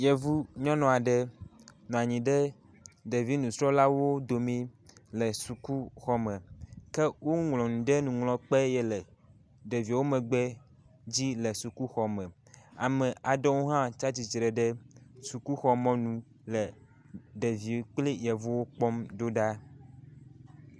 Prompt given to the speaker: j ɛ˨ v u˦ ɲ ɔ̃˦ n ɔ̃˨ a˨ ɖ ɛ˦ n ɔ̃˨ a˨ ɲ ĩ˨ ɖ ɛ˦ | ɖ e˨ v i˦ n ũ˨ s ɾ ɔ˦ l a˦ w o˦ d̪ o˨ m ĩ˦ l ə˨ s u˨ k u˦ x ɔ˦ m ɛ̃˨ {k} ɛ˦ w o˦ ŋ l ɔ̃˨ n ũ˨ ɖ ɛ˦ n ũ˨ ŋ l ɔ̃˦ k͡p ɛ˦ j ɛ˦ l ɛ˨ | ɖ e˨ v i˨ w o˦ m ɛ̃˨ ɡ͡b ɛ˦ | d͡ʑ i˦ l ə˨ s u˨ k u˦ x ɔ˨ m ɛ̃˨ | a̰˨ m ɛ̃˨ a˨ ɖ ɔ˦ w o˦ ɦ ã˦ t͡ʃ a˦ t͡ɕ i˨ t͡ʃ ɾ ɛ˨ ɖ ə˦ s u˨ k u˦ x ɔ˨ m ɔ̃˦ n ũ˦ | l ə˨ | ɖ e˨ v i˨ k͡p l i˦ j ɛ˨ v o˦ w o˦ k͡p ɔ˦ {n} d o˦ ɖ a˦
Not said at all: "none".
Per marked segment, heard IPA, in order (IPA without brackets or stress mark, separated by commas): k, m